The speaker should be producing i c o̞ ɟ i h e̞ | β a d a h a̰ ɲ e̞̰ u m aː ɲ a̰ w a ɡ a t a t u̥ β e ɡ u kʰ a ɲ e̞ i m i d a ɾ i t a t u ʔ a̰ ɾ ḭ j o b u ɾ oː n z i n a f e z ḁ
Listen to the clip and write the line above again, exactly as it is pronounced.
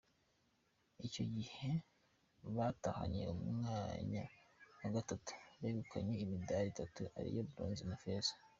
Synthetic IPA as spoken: i c o̞ ɟ i h e̞ | β a t a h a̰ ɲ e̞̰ u m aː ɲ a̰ w a ɡ a t a t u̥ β e ɡ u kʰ a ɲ e̞ i m i d a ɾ i t a t u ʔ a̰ ɾ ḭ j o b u ɾ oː n z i n a f e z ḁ